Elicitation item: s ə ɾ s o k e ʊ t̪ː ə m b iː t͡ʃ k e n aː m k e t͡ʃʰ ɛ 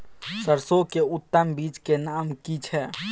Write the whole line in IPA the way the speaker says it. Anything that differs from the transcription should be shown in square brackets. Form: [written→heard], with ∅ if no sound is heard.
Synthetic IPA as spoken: s ə ɾ s o k e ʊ t̪ː ə m b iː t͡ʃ k e n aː m k [e→i] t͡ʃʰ ɛ